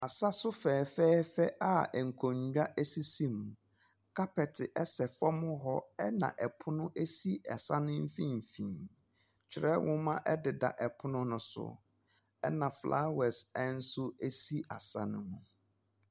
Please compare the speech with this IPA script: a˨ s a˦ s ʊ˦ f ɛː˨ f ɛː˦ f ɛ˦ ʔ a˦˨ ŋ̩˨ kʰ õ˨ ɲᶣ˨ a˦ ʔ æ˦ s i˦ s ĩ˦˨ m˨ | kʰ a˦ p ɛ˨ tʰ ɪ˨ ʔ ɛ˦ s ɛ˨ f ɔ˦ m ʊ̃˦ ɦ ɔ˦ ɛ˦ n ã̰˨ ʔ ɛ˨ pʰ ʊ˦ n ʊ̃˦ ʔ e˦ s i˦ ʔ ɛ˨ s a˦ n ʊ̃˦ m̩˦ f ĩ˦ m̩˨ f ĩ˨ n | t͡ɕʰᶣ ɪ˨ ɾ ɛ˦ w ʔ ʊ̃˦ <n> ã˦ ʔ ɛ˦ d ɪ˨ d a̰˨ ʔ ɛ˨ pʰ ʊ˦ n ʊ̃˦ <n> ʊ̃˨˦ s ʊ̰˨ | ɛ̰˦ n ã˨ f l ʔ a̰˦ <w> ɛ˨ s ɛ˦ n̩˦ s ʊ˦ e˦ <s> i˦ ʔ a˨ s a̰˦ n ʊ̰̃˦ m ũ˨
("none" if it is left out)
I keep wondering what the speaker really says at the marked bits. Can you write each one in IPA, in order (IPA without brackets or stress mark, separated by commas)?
m, n, w, s